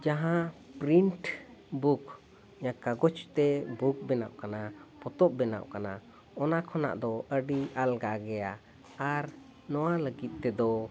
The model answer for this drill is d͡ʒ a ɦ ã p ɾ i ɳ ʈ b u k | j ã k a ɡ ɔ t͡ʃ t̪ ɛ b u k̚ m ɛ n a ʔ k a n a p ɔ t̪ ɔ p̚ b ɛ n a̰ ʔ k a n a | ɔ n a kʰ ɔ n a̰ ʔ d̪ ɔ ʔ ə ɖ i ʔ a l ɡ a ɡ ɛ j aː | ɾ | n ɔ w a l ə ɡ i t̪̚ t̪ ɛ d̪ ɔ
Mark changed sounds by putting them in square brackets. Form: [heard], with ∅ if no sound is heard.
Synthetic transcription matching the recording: d͡ʒ a ɦ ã p ɾ i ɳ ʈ b u k | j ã k a ɡ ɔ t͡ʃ t̪ ɛ b u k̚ [b] ɛ n a ʔ k a n a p ɔ t̪ ɔ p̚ b ɛ n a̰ ʔ k a n a | ɔ n a kʰ ɔ n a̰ ʔ d̪ ɔ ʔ ə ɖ i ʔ a l ɡ a ɡ ɛ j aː | ɾ | n ɔ w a l ə ɡ i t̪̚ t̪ ɛ d̪ ɔ